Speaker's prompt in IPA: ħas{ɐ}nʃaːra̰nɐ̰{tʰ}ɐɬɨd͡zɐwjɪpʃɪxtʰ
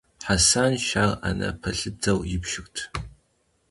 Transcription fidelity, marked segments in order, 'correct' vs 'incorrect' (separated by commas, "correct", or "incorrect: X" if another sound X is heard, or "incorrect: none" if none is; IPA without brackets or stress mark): incorrect: a, incorrect: pʰ